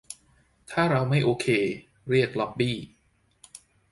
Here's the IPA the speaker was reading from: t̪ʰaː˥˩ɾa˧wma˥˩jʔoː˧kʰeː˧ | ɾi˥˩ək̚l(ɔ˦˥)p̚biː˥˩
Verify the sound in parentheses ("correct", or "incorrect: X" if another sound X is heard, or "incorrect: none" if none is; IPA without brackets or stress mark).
correct